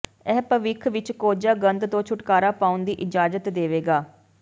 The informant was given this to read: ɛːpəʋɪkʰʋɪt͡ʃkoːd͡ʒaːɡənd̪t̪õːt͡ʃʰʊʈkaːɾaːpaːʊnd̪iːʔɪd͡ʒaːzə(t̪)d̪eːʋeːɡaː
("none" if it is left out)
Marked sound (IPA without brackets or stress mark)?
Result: t̪